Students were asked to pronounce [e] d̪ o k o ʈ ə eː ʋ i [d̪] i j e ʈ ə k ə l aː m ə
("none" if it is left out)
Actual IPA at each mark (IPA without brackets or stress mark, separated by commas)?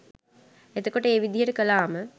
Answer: e, d̪